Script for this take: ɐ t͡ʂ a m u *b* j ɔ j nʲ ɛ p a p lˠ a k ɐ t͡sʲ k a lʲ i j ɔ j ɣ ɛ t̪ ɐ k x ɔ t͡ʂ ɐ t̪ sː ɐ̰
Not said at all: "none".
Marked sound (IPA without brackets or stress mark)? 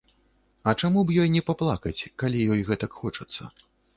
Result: b